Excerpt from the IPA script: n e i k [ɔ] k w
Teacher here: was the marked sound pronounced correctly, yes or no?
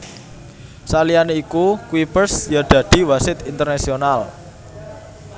no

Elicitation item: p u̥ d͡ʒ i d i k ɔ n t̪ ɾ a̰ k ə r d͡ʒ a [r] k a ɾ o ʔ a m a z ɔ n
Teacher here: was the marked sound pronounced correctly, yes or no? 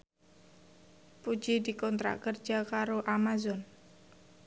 no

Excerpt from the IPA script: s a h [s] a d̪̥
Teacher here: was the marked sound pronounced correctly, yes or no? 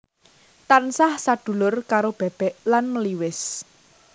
yes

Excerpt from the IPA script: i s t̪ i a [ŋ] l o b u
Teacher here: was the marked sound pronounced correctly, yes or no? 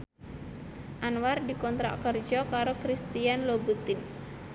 no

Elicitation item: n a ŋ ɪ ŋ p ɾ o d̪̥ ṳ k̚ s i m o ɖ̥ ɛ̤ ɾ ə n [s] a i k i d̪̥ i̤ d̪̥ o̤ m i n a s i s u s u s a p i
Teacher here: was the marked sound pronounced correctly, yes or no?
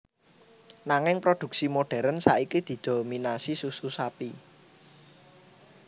yes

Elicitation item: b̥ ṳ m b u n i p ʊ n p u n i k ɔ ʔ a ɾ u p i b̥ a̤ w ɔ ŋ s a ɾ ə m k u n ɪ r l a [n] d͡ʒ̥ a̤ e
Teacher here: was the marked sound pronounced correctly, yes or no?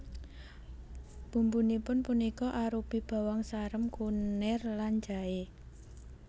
yes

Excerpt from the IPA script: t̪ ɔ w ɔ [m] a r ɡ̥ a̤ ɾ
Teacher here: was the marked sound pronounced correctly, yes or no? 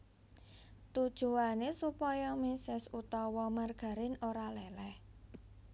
yes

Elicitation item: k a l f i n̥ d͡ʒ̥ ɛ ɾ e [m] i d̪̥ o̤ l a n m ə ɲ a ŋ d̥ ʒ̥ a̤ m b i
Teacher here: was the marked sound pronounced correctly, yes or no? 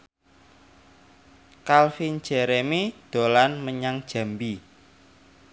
yes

